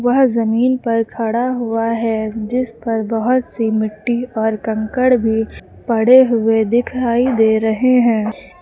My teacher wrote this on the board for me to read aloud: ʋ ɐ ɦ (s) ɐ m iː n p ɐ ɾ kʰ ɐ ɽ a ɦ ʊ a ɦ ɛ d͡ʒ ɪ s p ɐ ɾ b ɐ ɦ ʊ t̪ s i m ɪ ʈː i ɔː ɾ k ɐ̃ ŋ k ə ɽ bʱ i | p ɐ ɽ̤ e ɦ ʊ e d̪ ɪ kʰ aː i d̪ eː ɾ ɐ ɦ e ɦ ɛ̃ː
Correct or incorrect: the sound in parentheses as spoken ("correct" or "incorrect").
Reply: incorrect